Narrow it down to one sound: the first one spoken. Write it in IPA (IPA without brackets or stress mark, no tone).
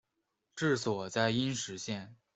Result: ʈ͡ʂ